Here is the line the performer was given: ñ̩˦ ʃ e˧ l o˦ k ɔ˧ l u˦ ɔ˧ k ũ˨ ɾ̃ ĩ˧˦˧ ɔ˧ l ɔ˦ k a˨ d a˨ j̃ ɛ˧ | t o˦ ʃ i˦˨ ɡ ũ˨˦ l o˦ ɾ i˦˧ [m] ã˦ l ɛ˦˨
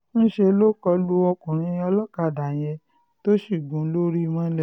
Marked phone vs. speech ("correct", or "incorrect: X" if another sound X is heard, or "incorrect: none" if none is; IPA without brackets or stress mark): correct